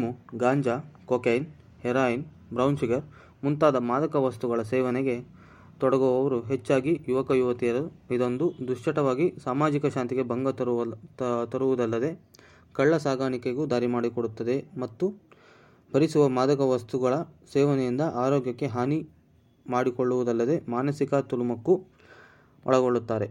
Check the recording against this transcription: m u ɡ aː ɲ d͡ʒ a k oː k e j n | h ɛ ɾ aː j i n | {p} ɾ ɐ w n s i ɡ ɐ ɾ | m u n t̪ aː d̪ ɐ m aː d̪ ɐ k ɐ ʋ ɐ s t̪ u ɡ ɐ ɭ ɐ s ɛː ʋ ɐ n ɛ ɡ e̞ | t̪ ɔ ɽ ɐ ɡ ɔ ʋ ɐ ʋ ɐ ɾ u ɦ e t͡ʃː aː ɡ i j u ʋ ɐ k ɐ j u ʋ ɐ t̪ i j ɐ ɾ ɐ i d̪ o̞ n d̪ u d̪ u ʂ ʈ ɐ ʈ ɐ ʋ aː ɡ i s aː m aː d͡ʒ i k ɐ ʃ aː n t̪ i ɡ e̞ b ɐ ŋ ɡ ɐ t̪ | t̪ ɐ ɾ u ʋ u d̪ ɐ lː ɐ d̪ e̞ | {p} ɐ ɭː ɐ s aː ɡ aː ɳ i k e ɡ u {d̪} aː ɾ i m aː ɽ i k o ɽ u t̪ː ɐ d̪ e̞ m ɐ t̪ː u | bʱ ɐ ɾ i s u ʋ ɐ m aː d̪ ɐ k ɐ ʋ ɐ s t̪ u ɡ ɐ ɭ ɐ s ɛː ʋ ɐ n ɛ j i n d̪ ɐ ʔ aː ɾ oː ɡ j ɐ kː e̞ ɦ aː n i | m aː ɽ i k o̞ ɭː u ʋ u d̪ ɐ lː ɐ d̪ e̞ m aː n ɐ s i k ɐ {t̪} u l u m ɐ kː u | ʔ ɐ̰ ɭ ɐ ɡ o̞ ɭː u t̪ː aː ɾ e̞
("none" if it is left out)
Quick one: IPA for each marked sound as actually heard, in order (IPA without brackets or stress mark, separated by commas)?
b, k, d̪, t̪